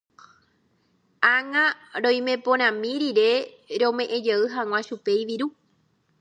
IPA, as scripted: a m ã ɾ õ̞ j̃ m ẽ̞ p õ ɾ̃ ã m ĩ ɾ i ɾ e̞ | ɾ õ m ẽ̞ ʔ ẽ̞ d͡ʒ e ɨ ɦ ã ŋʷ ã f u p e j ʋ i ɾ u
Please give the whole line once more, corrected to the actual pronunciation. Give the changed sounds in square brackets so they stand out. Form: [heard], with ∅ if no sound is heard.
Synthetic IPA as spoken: a [ŋ] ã ɾ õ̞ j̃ m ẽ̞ p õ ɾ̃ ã m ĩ ɾ i ɾ e̞ | ɾ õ m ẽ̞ ʔ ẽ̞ d͡ʒ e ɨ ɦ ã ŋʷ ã [ʃ] u p e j ʋ i ɾ u